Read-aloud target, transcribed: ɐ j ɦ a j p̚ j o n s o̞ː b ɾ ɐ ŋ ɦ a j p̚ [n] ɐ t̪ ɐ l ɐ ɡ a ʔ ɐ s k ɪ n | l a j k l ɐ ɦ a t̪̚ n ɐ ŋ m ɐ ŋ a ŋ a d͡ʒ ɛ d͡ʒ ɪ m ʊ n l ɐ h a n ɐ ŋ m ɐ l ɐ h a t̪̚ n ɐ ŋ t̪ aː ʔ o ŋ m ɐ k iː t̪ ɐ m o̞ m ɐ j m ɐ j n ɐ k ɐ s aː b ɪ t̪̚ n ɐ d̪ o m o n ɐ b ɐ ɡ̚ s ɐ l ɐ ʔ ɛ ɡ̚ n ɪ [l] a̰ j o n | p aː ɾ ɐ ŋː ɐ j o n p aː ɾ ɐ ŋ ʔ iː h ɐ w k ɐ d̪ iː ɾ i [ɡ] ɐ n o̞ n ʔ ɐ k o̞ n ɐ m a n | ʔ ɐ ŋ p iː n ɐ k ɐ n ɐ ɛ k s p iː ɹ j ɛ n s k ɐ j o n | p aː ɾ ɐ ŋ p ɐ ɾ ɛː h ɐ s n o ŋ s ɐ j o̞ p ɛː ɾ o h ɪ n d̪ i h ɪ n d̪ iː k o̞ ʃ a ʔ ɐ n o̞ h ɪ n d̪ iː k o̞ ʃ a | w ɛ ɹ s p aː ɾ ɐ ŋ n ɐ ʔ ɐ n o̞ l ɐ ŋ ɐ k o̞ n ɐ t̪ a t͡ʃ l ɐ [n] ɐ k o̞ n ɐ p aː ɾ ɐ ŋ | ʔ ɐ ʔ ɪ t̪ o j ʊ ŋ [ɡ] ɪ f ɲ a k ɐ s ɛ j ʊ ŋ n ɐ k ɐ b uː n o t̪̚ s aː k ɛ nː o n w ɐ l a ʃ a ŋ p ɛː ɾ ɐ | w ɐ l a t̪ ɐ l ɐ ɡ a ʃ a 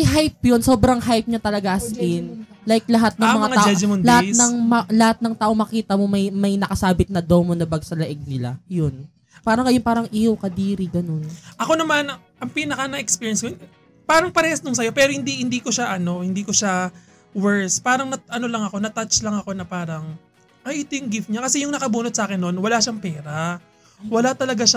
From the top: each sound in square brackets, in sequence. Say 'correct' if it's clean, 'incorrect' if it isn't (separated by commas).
incorrect, correct, correct, incorrect, correct